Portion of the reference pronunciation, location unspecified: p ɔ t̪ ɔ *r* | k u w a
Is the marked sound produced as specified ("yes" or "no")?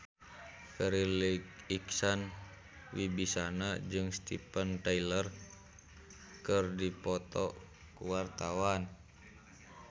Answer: no